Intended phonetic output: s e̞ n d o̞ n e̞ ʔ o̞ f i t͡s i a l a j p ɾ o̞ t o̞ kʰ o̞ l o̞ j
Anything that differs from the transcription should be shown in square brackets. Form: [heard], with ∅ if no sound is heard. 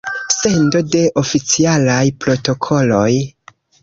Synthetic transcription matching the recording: s e̞ n d o̞ [d] e̞ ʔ o̞ f i t͡s i a l a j p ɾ o̞ t o̞ kʰ o̞ l o̞ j